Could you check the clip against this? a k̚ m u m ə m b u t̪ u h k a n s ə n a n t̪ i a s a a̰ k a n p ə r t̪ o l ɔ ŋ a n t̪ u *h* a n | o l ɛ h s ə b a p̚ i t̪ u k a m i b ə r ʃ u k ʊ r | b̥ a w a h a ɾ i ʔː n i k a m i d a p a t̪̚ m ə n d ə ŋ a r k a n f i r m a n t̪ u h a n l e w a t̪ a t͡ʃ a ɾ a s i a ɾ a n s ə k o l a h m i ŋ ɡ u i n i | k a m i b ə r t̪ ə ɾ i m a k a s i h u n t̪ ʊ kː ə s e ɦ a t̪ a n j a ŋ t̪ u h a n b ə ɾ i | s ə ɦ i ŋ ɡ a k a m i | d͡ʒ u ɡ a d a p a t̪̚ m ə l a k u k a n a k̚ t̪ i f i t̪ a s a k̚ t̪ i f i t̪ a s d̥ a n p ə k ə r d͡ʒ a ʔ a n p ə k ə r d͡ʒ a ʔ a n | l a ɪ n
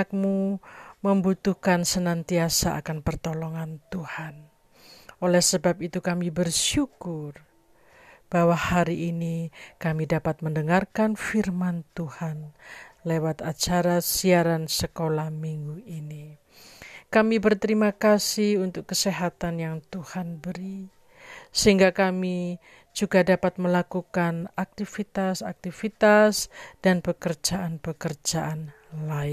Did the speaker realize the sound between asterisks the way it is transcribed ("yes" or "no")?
yes